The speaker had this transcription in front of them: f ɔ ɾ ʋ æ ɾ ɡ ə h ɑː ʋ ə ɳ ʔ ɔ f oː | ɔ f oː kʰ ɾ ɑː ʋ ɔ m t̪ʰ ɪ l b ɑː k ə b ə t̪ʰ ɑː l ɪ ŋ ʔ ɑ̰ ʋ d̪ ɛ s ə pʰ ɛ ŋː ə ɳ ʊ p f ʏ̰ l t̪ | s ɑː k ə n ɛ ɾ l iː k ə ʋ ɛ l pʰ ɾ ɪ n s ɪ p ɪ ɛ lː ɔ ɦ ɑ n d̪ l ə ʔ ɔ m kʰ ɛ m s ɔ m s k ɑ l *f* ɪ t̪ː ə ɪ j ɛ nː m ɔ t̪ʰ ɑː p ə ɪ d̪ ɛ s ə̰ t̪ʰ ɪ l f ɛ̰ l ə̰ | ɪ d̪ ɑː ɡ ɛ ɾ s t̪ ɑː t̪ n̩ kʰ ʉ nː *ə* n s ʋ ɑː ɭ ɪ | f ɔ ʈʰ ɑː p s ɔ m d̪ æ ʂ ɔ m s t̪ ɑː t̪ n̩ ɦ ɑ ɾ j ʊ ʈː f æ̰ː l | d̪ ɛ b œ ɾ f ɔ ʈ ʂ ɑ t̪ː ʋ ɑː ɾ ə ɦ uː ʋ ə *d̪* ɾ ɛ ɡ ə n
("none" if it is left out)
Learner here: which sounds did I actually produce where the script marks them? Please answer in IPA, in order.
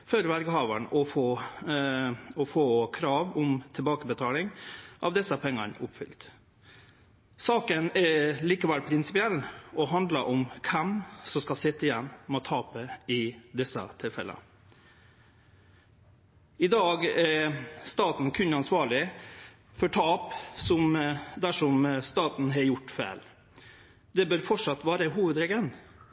s, ɑ, d̪

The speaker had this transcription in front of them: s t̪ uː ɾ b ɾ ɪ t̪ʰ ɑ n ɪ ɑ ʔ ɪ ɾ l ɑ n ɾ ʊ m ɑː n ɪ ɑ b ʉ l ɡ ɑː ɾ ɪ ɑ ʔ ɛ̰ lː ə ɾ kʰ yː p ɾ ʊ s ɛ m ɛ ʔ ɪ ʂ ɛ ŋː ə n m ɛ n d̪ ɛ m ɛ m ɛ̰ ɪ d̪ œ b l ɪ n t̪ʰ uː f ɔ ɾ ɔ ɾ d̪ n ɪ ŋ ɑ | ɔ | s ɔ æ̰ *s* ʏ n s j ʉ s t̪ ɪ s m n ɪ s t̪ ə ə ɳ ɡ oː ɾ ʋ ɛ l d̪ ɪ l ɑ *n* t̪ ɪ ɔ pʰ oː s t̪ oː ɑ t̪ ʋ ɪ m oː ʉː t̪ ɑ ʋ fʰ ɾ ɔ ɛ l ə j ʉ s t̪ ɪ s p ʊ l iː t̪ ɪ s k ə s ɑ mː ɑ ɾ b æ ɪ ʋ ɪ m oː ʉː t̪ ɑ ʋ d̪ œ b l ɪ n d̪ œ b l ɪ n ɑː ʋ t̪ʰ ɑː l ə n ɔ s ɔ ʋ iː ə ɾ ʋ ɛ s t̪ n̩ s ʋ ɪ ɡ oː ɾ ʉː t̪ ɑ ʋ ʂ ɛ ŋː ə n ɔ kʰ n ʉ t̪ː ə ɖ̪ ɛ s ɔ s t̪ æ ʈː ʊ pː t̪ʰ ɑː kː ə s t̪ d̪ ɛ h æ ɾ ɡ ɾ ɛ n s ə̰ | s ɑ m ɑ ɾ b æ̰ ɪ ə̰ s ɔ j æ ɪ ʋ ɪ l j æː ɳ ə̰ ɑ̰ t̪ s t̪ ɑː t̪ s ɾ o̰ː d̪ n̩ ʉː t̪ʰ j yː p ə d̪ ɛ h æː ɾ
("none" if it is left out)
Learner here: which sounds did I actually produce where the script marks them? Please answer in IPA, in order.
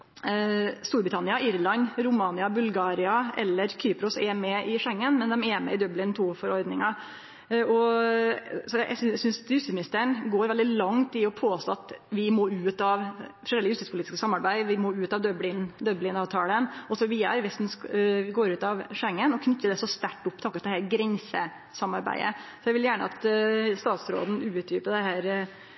s, ŋ

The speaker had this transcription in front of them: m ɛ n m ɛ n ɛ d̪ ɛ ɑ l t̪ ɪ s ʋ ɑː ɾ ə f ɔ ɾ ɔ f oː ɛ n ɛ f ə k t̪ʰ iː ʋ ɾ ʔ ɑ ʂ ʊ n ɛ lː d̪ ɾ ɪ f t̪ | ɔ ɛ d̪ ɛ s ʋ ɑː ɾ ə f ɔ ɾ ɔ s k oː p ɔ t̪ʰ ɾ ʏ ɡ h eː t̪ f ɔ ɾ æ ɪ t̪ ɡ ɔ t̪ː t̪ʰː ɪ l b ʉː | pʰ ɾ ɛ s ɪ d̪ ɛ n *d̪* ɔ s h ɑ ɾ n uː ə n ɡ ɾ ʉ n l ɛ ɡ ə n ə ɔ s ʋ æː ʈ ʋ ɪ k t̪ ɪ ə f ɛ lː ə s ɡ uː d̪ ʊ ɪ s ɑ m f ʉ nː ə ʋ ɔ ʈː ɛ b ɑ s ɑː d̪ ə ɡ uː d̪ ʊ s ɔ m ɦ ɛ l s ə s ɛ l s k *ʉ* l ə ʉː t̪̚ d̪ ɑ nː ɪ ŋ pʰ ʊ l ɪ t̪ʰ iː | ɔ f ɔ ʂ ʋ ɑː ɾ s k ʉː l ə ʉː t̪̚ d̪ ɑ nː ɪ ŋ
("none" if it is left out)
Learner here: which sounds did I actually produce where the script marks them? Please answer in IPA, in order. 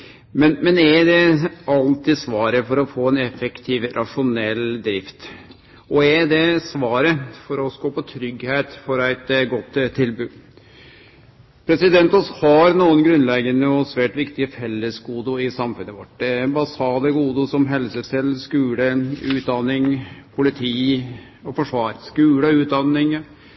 t̪, ʉː

